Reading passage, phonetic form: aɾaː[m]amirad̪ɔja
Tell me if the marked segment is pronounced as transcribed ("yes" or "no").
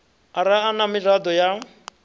no